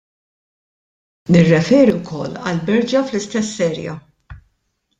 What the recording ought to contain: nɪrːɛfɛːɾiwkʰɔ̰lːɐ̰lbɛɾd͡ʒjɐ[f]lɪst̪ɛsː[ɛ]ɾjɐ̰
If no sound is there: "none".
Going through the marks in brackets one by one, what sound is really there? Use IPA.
f, ɛː

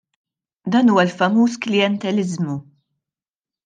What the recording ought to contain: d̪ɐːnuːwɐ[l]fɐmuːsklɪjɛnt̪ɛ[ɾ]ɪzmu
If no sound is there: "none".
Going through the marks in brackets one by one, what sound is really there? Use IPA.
l, l

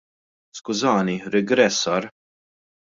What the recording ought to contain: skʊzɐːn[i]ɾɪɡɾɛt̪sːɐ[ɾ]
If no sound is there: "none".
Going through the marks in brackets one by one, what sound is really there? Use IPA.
i, ɾ

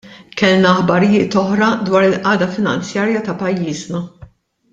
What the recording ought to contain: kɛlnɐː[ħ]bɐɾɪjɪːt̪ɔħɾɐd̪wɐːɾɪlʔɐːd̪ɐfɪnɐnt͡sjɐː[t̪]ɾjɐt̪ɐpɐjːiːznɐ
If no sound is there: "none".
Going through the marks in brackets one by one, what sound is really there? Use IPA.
ħ, none

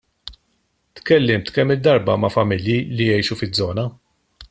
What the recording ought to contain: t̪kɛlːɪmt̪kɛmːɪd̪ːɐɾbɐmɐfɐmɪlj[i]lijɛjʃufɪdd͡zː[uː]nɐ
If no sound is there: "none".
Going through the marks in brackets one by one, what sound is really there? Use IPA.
i, ɔː

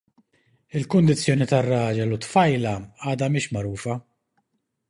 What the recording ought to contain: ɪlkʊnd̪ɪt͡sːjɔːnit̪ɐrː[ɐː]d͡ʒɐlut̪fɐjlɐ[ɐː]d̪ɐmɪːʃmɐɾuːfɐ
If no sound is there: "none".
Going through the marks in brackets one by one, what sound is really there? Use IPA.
ɐː, ɐː

